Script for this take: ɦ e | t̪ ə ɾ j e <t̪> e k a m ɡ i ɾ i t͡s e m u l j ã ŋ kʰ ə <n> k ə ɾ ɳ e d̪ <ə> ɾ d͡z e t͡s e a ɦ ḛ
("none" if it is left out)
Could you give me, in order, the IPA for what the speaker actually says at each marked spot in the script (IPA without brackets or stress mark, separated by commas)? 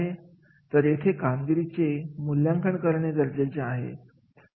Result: t̪ʰ, ɳ, ə